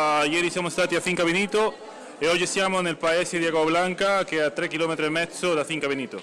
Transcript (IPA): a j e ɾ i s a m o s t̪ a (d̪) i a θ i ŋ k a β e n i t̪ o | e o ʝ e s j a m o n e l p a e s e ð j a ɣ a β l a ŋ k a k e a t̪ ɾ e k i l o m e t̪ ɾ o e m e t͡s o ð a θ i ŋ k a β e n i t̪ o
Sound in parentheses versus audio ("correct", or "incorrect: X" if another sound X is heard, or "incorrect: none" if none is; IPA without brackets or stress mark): incorrect: t̪